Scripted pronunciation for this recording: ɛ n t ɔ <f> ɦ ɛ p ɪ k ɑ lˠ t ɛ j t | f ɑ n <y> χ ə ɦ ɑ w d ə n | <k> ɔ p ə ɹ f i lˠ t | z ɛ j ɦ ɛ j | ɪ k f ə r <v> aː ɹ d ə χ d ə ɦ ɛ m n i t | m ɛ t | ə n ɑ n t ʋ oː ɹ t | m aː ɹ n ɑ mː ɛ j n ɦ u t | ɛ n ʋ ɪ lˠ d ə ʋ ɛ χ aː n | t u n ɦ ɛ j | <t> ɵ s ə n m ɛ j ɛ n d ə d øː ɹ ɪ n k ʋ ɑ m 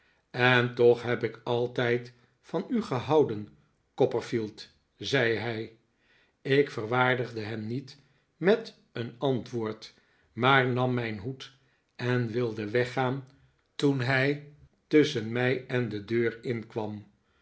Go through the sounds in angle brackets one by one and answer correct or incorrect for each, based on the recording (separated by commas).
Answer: incorrect, correct, correct, incorrect, correct